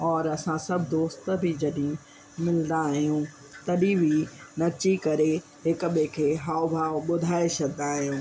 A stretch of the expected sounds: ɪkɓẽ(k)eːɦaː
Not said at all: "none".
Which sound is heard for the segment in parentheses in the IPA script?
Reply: kʰ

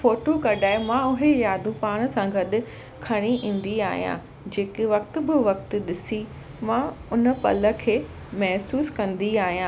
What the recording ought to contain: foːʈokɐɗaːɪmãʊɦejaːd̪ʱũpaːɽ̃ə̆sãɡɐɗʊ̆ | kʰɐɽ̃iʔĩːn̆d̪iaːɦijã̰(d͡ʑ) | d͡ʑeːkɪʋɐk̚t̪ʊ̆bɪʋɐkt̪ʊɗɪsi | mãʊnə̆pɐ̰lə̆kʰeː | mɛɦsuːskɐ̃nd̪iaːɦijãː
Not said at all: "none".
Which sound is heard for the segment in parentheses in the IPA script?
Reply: none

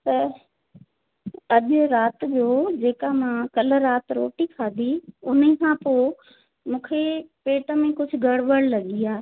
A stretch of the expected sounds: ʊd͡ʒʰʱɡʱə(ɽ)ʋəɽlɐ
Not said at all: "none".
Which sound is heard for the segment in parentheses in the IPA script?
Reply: ɽ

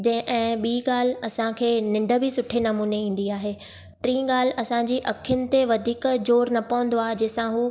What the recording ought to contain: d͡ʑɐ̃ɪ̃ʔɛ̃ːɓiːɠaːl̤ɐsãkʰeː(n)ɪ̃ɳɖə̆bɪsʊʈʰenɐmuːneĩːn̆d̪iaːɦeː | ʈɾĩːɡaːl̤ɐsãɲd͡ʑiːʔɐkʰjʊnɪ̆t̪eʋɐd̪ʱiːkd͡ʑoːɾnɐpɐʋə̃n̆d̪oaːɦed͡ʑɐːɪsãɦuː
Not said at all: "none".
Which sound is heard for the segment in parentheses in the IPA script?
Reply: n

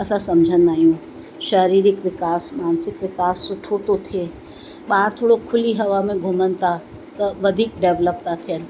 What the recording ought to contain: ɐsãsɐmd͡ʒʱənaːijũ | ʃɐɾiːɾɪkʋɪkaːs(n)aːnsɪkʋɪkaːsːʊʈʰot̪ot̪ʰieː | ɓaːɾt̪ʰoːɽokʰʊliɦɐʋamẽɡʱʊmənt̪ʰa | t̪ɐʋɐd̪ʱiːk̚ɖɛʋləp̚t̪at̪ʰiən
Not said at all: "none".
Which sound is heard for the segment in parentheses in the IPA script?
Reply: m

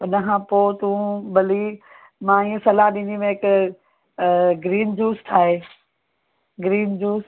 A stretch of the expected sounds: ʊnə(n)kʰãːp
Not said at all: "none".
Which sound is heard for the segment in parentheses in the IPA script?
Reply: none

